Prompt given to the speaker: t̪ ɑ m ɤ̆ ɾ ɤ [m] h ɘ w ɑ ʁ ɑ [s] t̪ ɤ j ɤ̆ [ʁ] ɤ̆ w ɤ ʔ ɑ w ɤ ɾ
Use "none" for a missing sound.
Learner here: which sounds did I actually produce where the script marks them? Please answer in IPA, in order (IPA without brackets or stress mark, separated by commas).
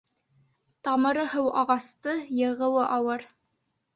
none, s, ʁ